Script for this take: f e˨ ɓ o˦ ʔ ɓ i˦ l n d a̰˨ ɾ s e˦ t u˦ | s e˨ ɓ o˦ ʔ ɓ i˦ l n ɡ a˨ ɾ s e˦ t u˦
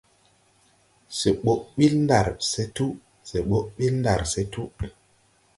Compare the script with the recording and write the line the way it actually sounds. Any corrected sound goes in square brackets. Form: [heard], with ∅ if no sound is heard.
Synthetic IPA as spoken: [s] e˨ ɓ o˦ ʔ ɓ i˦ l n d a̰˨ ɾ s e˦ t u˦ | s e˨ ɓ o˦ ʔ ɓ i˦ l n [d] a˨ ɾ s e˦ t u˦